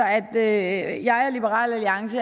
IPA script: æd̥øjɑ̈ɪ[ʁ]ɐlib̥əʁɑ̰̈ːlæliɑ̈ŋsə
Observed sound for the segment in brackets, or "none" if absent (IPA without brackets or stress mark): none